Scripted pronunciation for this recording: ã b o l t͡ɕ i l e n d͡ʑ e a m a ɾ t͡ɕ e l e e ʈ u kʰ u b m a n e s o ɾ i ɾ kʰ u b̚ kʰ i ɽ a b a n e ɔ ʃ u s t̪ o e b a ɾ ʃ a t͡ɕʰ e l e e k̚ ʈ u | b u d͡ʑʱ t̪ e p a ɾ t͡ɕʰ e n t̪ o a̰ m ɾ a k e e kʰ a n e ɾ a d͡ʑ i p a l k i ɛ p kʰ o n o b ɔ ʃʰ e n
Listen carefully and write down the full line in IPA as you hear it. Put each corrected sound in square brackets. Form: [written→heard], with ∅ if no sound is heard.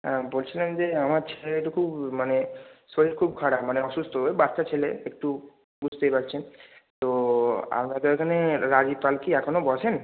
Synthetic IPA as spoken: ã b o l [t͡ɕ→t͡ɕʰ] i l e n d͡ʑ e a m a ɾ [t͡ɕ→t͡ɕʰ] e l e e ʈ u kʰ u b m a n e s o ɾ i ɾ kʰ u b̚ kʰ [i→a] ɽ a [b→m] a n e ɔ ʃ u s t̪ o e b a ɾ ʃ a t͡ɕʰ e l e e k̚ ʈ u | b u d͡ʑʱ t̪ e p a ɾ t͡ɕʰ e n t̪ o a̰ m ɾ a k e e kʰ a n e ɾ a d͡ʑ i p a l k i ɛ [p→∅] kʰ o n o b ɔ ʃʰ e n